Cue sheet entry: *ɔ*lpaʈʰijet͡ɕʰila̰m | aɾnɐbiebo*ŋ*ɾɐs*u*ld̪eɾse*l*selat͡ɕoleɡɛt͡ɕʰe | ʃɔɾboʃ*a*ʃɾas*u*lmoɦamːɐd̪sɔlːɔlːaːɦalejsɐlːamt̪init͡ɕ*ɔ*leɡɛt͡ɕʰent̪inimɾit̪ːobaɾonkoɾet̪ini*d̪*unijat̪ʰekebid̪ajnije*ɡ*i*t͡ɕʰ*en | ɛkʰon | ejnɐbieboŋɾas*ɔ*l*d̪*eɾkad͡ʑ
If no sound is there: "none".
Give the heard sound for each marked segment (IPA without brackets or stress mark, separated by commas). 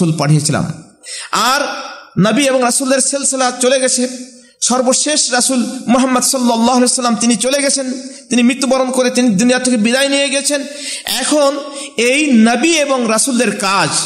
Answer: u, ŋ, u, l, e, u, o, d̪, ɡ, t͡ɕʰ, u, d̪